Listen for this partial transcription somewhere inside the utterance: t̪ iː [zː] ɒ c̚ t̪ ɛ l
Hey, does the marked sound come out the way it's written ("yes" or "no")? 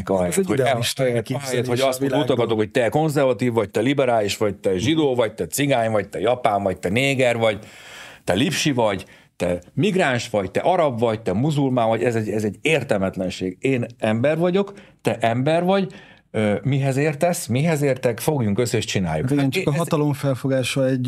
no